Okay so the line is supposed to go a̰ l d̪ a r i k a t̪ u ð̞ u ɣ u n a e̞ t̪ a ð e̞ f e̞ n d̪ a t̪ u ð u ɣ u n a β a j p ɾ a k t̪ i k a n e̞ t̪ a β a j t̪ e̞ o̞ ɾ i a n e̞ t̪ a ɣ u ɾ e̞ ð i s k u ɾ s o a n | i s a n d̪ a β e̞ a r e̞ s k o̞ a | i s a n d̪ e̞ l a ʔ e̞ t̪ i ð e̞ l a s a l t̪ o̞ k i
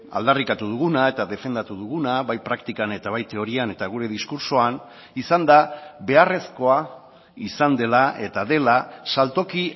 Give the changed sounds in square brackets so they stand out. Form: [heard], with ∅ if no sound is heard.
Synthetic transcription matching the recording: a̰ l d̪ a r i k a t̪ u ð̞ u ɣ u n a e̞ t̪ a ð e̞ f e̞ n d̪ a t̪ u ð u ɣ u n a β a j p ɾ a k t̪ i k a n e̞ t̪ a β a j t̪ e̞ o̞ ɾ i a n e̞ t̪ a ɣ u ɾ e̞ ð i s k u ɾ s o a n | i s a n d̪ a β e̞ a r e̞ s k o̞ a | i s a n d̪ e̞ l a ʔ e̞ t̪ [a] ð e̞ l a s a l t̪ o̞ k i